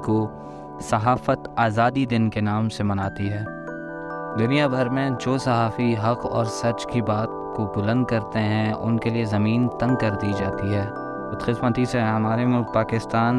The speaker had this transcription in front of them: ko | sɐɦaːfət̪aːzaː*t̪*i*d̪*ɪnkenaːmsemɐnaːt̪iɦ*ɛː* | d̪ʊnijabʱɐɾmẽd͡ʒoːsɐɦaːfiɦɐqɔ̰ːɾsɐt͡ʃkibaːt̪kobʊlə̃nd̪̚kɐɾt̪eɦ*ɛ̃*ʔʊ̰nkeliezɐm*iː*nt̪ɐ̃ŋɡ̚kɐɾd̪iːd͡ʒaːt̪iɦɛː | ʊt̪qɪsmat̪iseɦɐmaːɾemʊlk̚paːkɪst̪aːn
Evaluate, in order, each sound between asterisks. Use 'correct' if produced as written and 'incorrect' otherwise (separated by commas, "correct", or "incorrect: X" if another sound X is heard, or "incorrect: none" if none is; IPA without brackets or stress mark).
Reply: incorrect: d̪, correct, correct, correct, correct